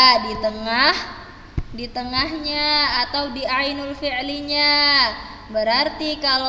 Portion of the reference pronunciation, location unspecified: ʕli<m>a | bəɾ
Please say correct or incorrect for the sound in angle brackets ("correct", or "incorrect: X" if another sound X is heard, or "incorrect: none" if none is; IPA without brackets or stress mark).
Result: incorrect: ɲ